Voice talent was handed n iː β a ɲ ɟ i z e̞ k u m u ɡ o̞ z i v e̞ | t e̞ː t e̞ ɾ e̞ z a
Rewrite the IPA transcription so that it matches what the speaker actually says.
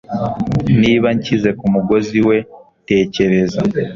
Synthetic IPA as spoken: n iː β a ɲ c i z e̞ k u m u ɡ o̞ z i w e̞ | t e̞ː c e̞ ɾ e̞ z a

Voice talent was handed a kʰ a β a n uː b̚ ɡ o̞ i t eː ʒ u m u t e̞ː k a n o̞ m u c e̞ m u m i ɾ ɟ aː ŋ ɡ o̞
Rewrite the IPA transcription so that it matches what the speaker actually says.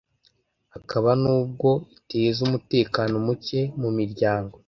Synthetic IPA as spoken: a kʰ a β a n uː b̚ ɡ o̞ i t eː z u m u t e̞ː k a n o̞ m u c e̞ m u m i ɾ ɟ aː ŋ ɡ o̞

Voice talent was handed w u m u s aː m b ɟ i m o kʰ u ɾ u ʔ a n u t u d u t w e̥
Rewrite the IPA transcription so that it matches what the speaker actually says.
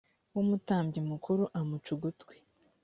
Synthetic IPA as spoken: w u m u t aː m b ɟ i m u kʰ u ɾ u ʔ a m u t͡ʃ u ɡ u t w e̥

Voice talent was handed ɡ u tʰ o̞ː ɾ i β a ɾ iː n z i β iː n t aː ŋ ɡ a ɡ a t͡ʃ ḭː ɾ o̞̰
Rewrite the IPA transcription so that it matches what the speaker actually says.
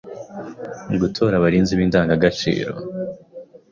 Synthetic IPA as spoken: ɡ u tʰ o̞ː ɾ a β a ɾ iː n z i β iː n d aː ŋ ɡ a ɡ a t͡ʃ ḭː ɾ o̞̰

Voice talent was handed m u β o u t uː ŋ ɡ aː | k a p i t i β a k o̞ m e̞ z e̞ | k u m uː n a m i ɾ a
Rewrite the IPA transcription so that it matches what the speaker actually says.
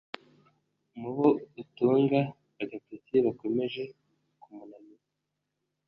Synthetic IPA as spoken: m u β o u t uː ŋ ɡ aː | ɡ a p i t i β a k o̞ m e̞ ʒ e̞ | k u m u n a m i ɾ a

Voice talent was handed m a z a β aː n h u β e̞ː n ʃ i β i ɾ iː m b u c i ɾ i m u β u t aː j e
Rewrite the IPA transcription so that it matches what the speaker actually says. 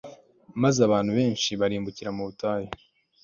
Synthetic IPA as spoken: m a z a β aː n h u β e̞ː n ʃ i β a ɾ iː m b u c i ɾ a m u β u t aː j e

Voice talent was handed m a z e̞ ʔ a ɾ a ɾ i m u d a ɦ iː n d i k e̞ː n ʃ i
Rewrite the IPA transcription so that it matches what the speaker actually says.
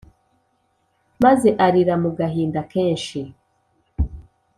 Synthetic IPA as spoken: m a z e̞ ʔ a ɾ i ɾ a m u ɡ a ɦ iː n d a k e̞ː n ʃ i

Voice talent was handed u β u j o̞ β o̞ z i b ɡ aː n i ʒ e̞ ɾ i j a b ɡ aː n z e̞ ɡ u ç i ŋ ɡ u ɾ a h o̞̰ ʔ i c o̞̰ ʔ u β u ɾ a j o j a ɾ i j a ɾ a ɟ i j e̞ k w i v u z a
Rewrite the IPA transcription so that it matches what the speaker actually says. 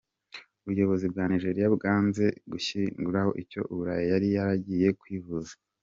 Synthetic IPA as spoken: u β u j o̞ β o̞ z i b ɡ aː n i ʒ e̞ ɾ i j a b ɡ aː n z e̞ ɡ u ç i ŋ ɡ u ɾ a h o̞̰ ʔ i c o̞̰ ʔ u β u ɾ a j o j a ɾ i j a ɾ a ɟ i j e̞ k w i v u z a

